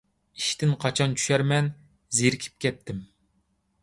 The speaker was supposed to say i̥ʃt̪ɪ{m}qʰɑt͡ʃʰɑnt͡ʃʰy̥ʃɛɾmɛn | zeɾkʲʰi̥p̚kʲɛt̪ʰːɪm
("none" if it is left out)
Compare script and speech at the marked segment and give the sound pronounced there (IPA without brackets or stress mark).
n